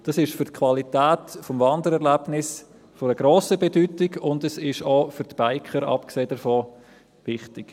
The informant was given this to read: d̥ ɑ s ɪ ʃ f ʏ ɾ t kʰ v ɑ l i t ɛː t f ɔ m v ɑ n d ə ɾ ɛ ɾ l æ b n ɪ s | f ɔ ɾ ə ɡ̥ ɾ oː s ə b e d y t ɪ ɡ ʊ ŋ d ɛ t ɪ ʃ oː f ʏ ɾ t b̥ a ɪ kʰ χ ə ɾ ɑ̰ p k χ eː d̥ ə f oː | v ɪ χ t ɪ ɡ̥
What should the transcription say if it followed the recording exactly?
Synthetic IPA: d̥ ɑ s ɪ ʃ f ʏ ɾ t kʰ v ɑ l i t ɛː t f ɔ m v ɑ n d ə ɾ ɛ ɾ l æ b n ɪ s | f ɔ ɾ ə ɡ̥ ɾ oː s ə b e d y t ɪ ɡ ʊ n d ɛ s ɪ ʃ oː f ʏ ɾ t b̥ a ɪ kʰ χ ə ɾ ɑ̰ p k s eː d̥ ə f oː | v ɪ χ t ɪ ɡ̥